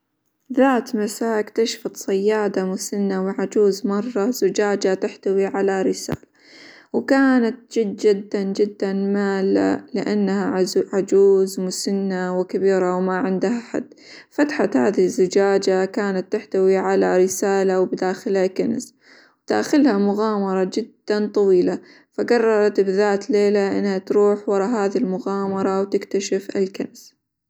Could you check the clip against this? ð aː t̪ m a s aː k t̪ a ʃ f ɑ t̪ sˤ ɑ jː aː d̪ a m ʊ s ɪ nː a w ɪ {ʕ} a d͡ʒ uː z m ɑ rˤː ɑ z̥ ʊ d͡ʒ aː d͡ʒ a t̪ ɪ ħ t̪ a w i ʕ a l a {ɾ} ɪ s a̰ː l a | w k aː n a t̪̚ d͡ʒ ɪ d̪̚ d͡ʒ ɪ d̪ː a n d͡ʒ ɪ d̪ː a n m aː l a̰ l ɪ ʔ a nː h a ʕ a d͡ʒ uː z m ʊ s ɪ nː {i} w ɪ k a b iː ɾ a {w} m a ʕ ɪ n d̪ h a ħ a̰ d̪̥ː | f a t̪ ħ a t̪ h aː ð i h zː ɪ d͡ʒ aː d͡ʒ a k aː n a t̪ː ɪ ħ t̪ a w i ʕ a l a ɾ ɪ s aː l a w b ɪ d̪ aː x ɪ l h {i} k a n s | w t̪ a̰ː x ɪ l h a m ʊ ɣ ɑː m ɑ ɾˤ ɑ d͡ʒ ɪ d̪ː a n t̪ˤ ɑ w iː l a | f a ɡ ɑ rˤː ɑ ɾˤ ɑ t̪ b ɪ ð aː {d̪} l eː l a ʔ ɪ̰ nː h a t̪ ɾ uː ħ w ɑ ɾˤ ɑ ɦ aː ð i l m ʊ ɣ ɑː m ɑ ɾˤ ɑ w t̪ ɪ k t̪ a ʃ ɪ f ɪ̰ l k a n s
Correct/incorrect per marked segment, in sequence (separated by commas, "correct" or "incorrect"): correct, correct, incorrect, correct, incorrect, incorrect